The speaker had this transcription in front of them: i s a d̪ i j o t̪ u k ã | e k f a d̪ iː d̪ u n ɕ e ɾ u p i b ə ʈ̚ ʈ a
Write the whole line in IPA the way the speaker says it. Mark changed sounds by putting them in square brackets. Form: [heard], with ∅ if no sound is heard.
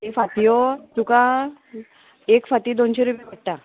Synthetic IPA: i [f] a [t̪] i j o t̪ u k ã | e k f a [t̪] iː d̪ [o] n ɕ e ɾ u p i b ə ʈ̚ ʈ a